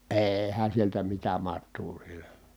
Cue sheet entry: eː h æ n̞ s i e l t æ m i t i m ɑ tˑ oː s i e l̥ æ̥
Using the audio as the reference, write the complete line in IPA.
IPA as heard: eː h æ n̞ s i e l t æ m i t æ m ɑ tˑ uː s i e l̥ æ̥